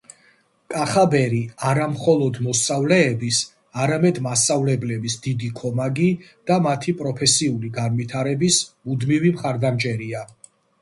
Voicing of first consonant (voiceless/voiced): voiceless